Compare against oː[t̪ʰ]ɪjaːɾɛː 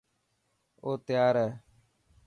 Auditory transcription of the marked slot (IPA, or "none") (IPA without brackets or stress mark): t̪